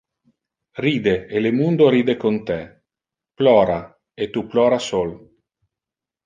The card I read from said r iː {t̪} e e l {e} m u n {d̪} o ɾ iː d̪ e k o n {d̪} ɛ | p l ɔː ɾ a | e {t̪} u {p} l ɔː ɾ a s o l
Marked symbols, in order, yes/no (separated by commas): no, yes, yes, no, yes, yes